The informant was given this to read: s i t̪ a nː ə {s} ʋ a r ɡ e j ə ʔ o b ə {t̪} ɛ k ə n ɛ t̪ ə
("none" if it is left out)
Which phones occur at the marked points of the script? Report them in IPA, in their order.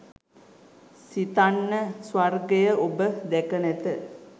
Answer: s, d̪

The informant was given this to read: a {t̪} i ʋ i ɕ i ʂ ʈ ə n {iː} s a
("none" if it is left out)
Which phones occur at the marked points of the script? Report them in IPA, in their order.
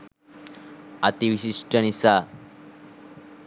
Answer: t̪, i

